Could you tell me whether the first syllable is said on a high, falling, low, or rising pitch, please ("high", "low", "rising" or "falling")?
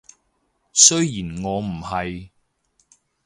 high